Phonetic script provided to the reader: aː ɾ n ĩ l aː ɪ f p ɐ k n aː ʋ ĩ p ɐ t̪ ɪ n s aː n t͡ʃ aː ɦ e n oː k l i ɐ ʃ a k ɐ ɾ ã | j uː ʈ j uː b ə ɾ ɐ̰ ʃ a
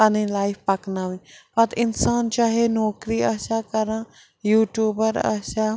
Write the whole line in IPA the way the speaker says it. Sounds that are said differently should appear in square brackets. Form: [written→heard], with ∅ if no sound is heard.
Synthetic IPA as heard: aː [ɾ→∅] n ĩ l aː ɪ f p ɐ k n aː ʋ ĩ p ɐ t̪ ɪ n s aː n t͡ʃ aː ɦ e n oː k [l→ɾ] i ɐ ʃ a k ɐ ɾ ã | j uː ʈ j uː b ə ɾ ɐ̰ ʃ a